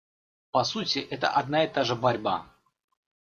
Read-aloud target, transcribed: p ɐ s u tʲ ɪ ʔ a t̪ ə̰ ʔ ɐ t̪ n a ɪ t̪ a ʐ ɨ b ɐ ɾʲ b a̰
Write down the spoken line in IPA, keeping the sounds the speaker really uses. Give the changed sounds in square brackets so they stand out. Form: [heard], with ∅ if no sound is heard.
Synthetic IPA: p ɐ s u tʲ ɪ ʔ [ɛ] t̪ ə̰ ʔ ɐ [d̪] n a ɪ t̪ a ʐ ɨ b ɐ ɾʲ b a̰